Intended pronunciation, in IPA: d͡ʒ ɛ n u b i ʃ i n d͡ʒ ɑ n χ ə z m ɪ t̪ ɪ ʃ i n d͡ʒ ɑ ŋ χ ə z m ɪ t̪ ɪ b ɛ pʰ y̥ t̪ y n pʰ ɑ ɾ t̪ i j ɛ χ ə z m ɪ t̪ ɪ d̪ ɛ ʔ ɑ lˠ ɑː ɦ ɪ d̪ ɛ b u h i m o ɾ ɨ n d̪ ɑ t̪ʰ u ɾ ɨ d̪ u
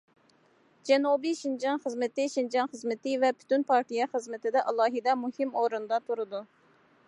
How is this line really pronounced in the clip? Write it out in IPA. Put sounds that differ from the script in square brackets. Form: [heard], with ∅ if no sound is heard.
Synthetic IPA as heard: d͡ʒ ɛ n u b i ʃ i n d͡ʒ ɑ n χ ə z m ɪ t̪ ɪ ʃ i n d͡ʒ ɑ [n] χ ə z m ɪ t̪ ɪ [v] ɛ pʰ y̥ t̪ y n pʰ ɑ ɾ t̪ i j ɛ χ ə z m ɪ t̪ ɪ d̪ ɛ ʔ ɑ lˠ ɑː ɦ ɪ d̪ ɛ [m] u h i m o ɾ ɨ n d̪ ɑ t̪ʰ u ɾ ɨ d̪ u